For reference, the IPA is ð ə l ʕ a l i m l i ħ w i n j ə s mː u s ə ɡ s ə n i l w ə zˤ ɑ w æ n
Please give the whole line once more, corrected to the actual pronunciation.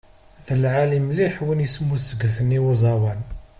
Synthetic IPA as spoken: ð ə l ʕ a l i m l i ħ w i n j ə s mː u s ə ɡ θ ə n i w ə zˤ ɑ w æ n

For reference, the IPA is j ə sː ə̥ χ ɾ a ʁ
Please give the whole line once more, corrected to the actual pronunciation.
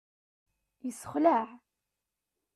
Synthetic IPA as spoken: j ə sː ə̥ χ l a ʕ

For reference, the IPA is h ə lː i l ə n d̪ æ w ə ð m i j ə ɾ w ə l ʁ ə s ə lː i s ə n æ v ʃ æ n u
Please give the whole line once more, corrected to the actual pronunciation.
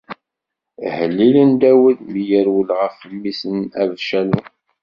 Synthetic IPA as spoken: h ə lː i l ə n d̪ æ w ə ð m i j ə ɾ w ə l ʁ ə f ə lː i s ə n æ v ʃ æ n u

